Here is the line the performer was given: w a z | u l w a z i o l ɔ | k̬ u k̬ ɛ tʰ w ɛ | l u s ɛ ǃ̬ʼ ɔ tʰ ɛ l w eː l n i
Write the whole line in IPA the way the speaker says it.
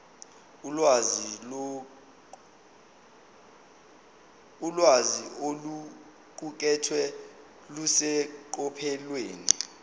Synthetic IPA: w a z | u l w a z i o l u | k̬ u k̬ ɛ tʰ w ɛ | l u s ɛ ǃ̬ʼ ɔ pʰ ɛ l w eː n i